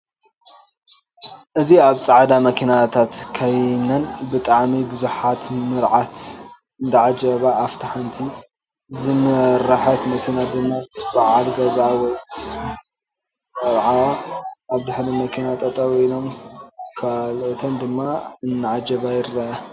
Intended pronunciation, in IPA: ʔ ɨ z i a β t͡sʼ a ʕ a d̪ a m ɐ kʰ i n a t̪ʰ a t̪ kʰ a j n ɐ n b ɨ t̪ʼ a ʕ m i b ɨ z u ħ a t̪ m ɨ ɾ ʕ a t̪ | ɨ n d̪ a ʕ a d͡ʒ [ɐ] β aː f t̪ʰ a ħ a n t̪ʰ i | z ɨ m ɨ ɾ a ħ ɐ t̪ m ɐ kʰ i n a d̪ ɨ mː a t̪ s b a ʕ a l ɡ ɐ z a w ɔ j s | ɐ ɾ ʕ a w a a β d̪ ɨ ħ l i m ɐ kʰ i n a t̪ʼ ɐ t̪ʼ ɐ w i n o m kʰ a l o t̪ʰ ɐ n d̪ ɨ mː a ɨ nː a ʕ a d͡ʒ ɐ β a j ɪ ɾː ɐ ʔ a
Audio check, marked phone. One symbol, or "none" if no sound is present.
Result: ɐ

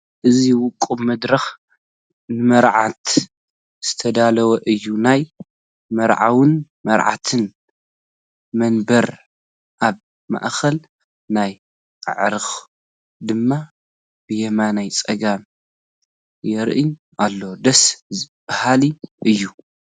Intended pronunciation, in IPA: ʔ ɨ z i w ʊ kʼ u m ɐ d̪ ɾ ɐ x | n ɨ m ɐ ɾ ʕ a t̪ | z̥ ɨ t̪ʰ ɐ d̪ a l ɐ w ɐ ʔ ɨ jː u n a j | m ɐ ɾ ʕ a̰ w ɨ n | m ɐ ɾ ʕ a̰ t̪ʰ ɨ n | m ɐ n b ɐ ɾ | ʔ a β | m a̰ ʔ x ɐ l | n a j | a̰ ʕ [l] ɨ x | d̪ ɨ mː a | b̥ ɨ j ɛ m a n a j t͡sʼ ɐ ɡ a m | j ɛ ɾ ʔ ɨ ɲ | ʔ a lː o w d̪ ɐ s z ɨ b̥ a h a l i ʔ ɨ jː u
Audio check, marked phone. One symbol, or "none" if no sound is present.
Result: ɾ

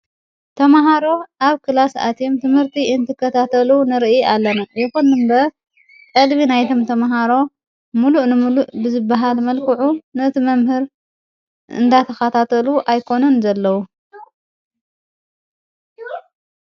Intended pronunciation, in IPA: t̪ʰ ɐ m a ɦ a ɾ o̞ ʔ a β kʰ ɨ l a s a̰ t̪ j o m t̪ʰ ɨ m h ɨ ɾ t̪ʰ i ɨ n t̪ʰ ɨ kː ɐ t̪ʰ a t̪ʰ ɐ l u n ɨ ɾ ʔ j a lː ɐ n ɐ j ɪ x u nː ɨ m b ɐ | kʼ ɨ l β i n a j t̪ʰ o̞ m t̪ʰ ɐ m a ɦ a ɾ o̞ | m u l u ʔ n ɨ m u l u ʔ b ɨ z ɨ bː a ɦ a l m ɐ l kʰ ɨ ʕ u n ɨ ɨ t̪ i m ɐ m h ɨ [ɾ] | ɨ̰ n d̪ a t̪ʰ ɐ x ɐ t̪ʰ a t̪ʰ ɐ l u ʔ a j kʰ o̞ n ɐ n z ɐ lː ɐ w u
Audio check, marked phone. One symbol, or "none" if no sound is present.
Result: ɾ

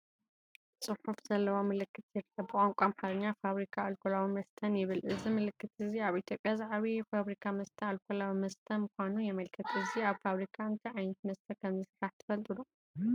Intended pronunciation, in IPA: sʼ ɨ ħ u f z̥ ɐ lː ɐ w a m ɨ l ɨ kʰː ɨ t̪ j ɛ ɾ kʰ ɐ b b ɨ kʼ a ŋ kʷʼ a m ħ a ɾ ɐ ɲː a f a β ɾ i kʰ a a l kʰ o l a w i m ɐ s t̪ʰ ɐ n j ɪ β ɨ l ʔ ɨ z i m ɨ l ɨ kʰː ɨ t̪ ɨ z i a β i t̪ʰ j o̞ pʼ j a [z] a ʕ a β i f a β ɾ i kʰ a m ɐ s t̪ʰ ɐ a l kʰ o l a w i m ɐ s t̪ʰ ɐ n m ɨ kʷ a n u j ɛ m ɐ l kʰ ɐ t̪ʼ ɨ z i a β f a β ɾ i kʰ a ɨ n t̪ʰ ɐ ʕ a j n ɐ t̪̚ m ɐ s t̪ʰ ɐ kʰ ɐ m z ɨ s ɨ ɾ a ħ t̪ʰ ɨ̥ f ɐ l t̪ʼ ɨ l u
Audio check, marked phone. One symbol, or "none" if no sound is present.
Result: z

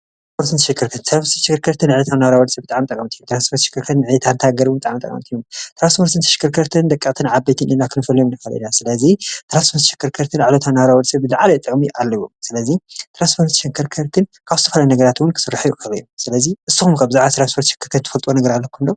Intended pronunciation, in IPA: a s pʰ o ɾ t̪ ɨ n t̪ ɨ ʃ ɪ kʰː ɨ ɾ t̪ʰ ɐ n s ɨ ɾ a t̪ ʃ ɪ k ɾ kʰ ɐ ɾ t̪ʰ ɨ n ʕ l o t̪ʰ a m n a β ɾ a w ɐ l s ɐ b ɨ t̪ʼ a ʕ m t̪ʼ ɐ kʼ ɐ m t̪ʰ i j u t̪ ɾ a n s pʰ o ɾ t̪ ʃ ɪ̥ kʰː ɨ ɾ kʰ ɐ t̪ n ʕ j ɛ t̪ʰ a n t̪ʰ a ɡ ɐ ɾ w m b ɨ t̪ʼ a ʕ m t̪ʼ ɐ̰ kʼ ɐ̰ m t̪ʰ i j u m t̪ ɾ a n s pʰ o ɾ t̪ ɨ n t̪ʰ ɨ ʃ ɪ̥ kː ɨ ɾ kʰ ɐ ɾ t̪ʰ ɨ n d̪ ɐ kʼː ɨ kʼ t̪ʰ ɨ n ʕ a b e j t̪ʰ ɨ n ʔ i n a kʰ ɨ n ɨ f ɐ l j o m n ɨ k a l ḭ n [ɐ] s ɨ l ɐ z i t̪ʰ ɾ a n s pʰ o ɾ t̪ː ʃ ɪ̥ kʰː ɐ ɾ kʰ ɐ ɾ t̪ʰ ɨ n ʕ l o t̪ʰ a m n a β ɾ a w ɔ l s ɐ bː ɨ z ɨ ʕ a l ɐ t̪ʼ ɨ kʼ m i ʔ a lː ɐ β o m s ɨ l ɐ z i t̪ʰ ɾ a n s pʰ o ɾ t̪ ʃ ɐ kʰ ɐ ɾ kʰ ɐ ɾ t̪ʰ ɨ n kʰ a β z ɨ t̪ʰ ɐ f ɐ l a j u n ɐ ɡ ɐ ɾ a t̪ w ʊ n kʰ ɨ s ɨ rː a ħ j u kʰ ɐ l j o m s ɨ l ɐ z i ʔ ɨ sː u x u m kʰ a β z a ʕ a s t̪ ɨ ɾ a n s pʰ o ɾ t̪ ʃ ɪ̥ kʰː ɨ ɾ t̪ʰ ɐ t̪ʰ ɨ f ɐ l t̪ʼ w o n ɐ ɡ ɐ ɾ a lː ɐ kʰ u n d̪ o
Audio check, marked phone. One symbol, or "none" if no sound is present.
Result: a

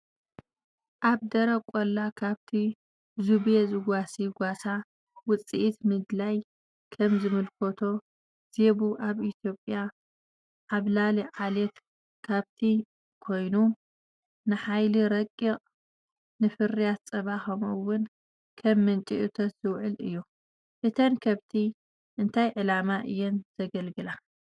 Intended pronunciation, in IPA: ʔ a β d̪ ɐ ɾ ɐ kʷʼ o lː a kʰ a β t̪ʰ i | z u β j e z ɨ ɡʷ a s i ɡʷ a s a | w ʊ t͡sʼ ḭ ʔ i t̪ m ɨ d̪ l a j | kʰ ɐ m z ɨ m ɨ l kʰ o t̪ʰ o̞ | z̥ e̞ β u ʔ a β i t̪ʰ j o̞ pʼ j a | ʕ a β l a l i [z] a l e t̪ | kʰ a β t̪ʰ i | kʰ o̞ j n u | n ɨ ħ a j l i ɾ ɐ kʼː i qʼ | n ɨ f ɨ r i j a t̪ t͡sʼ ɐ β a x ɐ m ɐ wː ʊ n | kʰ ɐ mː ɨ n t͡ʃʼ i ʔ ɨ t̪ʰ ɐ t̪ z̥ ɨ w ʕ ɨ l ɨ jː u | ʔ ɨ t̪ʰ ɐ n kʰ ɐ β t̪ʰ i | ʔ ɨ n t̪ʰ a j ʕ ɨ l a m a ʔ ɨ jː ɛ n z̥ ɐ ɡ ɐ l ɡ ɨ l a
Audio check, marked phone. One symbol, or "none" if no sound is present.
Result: ʕ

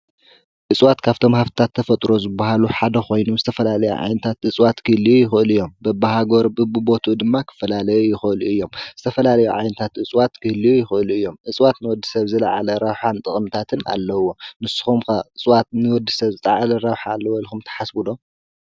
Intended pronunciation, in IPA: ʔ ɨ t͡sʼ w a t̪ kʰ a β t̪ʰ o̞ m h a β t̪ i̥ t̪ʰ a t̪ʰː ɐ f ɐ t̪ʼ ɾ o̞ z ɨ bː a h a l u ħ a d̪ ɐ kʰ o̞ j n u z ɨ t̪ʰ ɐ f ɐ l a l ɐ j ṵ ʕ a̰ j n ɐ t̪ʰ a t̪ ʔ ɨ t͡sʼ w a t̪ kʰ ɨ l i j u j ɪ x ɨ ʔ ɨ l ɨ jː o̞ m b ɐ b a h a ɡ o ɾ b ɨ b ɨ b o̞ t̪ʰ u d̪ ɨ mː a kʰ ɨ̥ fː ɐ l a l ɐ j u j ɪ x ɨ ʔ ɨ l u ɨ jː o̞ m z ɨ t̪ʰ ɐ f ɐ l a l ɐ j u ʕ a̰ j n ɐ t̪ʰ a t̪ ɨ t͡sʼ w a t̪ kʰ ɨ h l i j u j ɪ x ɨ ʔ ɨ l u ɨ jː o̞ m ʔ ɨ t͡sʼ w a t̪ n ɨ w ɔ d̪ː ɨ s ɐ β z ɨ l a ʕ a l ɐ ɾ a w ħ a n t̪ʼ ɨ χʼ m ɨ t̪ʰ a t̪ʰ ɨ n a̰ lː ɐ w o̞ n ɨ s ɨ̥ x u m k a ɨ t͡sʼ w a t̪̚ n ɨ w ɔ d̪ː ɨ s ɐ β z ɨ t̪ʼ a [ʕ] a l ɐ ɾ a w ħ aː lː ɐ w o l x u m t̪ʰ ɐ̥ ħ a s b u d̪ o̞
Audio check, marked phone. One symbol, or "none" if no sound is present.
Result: ʕ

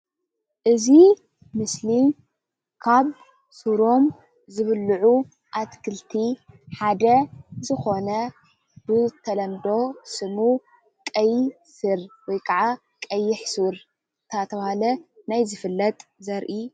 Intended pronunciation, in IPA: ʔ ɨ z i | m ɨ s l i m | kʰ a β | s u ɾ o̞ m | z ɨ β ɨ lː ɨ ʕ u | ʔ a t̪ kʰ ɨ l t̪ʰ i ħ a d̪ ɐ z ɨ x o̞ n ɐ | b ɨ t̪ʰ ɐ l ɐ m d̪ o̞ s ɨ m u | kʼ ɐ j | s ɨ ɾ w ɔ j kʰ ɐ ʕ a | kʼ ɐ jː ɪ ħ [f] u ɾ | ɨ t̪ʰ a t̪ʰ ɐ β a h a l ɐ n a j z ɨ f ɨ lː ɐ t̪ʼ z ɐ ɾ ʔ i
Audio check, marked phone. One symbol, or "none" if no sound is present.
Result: s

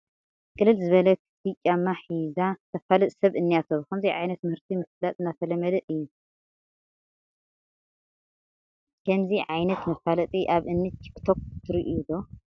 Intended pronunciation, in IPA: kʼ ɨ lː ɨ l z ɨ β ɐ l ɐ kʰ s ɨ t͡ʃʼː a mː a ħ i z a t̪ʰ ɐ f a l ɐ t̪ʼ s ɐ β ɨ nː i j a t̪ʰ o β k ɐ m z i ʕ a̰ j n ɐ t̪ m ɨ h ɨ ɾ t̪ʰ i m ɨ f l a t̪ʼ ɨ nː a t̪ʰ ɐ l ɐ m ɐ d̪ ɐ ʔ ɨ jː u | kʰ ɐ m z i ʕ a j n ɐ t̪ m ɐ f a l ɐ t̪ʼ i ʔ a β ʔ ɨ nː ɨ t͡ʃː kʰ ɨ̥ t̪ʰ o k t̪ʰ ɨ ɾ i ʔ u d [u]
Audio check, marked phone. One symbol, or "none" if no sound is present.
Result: o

